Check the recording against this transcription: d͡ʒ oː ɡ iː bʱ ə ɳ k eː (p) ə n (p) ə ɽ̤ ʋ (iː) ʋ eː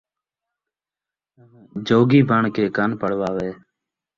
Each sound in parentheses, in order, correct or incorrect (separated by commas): incorrect, correct, incorrect